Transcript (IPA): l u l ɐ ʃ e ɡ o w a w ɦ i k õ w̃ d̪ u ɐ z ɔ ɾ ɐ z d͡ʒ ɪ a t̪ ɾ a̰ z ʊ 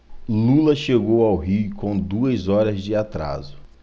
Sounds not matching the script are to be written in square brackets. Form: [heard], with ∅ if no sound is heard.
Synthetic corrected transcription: l u l ɐ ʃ e ɡ o w a w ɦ i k õ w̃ d̪ u ɐ z ɔ ɾ ɐ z d͡ʒ ɪ a t̪ ɾ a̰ z ʊ